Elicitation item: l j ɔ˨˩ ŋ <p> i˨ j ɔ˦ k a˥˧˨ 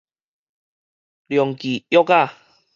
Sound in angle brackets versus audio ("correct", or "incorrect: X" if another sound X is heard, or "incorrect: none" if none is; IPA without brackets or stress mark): incorrect: k